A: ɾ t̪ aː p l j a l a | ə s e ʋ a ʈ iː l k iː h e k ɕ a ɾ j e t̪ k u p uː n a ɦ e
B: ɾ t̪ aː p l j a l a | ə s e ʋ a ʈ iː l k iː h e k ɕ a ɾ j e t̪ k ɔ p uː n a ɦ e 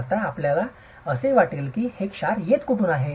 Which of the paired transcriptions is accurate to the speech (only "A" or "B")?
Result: A